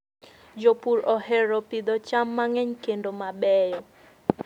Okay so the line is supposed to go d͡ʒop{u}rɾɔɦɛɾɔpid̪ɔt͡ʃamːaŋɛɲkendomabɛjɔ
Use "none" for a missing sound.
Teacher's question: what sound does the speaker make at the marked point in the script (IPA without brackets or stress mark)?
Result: u